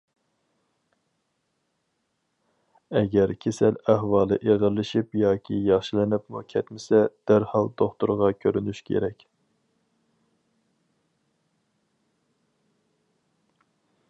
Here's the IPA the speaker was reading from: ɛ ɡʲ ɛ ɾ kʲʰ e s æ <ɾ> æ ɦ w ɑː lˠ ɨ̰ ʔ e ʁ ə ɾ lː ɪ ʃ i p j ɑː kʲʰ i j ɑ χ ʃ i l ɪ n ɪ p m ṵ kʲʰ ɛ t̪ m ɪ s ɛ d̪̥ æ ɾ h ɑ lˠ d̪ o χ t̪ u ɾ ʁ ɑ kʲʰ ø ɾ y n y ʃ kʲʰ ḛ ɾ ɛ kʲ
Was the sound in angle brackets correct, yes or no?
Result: no